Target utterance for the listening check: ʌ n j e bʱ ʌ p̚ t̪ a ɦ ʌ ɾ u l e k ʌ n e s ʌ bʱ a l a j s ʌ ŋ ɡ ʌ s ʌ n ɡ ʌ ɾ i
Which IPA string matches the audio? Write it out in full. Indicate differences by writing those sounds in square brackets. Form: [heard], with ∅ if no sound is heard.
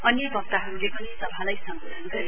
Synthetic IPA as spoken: ʌ n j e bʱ ʌ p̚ t̪ a ɦ ʌ ɾ u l e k ʌ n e s ʌ bʱ a l a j s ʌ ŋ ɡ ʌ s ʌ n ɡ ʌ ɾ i